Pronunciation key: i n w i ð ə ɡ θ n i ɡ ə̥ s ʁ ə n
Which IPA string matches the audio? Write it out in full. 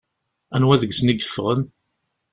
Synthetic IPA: æ n w æ ð ə ɡ s n i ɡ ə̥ f ʁ ə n